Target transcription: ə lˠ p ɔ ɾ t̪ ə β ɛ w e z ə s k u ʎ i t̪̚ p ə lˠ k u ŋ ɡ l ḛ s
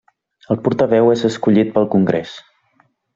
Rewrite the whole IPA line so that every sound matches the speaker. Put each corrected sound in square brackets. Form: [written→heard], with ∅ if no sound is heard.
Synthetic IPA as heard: ə lˠ p [ɔ→u] ɾ t̪ ə β ɛ w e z ə s k u ʎ i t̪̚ p ə lˠ k u ŋ ɡ [l→ɾ] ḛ s